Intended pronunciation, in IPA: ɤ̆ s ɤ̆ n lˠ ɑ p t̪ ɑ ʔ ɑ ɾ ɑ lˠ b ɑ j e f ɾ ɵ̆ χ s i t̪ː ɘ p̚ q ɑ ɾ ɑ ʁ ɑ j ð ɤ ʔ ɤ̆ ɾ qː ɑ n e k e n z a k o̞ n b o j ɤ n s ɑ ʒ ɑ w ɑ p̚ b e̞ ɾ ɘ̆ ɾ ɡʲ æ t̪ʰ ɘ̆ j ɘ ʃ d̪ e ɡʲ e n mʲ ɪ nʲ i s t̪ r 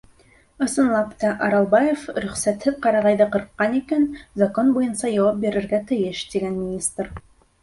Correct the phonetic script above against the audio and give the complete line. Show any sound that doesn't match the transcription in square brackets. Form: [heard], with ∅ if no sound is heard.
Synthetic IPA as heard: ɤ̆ s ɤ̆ n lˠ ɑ p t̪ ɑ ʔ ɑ ɾ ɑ lˠ b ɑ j e f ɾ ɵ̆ χ s [æ] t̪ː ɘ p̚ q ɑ ɾ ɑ ʁ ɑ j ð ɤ [q] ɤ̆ ɾ qː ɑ n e k e n z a k o̞ n b o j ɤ n s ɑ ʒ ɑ w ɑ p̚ b e̞ ɾ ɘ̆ ɾ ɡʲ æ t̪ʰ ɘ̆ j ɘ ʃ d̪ e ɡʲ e n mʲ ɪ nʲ i s t̪ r